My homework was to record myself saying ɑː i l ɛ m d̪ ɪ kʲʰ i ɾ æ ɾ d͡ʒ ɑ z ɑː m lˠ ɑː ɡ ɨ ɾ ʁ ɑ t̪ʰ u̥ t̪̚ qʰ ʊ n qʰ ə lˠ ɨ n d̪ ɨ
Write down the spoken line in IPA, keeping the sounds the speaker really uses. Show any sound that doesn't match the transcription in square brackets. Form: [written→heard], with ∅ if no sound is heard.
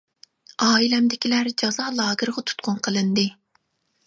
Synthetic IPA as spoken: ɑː i l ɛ m d̪ ɪ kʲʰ i [ɾ→l] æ ɾ d͡ʒ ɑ z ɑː [m→∅] lˠ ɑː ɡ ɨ ɾ ʁ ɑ t̪ʰ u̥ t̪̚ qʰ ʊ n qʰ ə lˠ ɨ n d̪ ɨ

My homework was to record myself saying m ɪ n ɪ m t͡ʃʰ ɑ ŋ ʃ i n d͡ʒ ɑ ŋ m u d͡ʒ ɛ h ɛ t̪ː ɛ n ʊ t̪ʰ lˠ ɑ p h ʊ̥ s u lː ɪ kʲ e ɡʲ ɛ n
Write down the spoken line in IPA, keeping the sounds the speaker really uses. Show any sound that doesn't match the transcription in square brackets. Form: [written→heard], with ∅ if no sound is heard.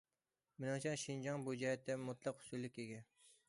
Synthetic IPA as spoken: m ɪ n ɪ [m→ŋ] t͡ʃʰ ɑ ŋ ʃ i n d͡ʒ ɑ ŋ [m→b] u d͡ʒ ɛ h ɛ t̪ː ɛ [n→m] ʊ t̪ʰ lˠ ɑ [p→q] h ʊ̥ s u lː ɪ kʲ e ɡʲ ɛ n

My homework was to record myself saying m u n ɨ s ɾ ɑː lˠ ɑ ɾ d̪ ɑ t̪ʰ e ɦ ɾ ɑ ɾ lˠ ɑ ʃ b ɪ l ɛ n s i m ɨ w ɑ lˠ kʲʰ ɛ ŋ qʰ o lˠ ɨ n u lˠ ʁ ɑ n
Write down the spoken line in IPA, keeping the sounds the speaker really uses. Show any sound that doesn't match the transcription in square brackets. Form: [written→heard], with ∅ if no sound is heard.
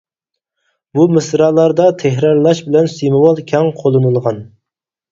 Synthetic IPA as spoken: [m→b] u [n→m] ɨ s ɾ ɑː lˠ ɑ ɾ d̪ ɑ t̪ʰ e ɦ ɾ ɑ ɾ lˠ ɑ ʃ b ɪ l ɛ n s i m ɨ w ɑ lˠ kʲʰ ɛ ŋ qʰ o lˠ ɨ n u lˠ ʁ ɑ n

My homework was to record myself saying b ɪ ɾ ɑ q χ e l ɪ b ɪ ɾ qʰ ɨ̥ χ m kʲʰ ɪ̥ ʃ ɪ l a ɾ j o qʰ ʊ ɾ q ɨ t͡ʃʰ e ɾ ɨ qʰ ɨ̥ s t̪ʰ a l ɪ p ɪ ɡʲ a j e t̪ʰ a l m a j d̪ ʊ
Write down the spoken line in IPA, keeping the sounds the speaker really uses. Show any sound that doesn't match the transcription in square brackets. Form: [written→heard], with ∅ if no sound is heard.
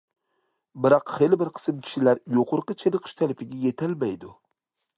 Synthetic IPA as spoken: b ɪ ɾ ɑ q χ e l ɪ b ɪ ɾ qʰ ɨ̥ [χ→s] m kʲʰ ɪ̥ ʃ ɪ l a ɾ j o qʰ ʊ ɾ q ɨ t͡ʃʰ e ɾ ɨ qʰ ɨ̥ [s→ʃ] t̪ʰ a l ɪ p ɪ ɡʲ a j e t̪ʰ a l m a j d̪ ʊ

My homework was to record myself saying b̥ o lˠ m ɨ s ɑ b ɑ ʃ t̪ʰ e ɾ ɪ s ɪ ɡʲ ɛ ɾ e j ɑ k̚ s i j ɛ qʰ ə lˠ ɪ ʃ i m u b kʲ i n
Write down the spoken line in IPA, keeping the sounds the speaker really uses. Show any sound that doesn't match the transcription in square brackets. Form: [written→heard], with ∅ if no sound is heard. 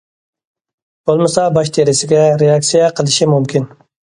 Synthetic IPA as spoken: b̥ o lˠ m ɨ s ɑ b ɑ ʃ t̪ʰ e ɾ ɪ s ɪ ɡʲ ɛ ɾ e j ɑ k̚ s i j ɛ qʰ ə lˠ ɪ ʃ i m u [b→m] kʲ i n

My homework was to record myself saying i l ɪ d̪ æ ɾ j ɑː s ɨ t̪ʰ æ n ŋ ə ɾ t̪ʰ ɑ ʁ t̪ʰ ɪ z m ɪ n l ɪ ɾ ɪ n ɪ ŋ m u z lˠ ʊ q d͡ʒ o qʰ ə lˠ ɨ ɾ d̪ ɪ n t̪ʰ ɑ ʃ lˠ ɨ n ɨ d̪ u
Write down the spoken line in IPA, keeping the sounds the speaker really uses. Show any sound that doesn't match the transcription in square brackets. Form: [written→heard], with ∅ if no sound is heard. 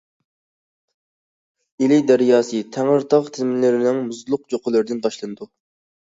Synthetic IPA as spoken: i l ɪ d̪ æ ɾ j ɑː s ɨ t̪ʰ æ [n→∅] ŋ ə ɾ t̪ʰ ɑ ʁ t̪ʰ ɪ z m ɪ n l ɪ ɾ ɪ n ɪ ŋ m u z lˠ ʊ q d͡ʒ o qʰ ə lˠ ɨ ɾ d̪ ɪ n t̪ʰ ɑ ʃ lˠ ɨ n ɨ d̪ u

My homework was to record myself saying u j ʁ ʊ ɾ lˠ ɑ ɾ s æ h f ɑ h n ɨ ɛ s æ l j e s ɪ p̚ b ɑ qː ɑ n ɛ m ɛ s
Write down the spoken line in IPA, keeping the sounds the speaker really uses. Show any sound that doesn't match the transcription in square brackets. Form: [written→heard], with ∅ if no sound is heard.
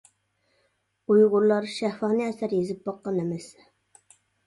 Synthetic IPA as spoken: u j ʁ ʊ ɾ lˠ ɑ ɾ [s→ʃ] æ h f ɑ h n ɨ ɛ s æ [l→ɾ] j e [s→z] ɪ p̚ b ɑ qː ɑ n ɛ m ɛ s

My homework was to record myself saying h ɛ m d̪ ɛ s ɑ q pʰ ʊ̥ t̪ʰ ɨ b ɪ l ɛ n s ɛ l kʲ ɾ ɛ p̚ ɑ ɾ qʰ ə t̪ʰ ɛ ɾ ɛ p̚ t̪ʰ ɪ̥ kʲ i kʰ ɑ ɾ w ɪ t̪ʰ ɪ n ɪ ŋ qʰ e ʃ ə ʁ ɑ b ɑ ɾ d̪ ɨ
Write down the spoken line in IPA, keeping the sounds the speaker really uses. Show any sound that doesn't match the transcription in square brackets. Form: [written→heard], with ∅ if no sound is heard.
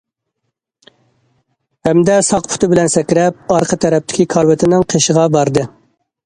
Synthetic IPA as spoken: h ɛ m d̪ ɛ s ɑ q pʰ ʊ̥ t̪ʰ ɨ b ɪ l ɛ n s ɛ [l→∅] kʲ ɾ ɛ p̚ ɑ ɾ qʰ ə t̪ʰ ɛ ɾ ɛ p̚ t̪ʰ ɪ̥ kʲ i kʰ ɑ ɾ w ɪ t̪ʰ ɪ n ɪ ŋ qʰ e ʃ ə ʁ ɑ b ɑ ɾ d̪ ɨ

